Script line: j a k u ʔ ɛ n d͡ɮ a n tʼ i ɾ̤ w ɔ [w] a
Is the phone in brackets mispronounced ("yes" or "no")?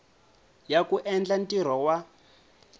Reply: no